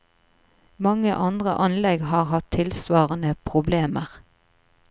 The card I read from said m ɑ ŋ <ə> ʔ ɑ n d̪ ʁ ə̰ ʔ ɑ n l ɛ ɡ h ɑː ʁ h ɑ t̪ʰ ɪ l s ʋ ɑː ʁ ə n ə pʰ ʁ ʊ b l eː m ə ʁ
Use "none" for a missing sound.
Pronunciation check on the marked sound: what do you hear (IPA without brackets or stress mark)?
ə